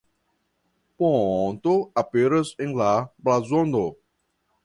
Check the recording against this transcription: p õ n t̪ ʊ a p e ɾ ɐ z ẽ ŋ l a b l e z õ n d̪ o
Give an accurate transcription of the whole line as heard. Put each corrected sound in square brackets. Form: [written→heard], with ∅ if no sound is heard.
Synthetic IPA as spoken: p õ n t̪ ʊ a p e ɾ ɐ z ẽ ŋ l a b l [e→a] z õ n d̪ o